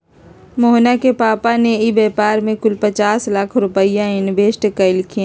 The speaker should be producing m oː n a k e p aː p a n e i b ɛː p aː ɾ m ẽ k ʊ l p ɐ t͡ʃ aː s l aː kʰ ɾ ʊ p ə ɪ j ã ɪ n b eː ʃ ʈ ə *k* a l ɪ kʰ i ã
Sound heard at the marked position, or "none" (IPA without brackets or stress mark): k